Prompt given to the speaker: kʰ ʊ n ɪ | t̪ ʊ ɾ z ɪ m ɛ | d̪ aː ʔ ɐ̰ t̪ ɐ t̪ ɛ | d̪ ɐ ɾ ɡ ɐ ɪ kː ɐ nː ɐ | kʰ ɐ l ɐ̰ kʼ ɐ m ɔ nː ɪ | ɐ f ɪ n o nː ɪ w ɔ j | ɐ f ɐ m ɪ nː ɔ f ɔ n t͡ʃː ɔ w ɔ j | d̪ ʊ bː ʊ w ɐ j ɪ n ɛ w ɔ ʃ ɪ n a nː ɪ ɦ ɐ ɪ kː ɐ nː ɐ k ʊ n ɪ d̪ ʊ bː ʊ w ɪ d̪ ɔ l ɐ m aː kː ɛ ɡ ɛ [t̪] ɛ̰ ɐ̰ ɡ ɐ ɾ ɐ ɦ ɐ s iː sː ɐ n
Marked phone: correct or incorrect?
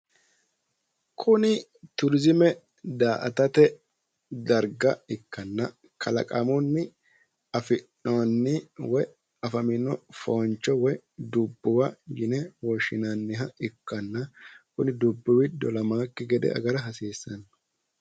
incorrect